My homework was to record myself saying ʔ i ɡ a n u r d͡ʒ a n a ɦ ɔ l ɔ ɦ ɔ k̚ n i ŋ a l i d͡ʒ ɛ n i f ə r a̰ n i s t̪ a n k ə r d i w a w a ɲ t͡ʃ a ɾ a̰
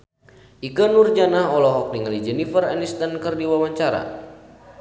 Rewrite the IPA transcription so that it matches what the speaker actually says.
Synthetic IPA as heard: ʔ i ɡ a n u r d͡ʒ a n a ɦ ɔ l ɔ ɦ ɔ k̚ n i ŋ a l i d͡ʒ ɛ n i f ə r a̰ n i s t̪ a n k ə r d i w a w a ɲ t͡ʃ a ɾ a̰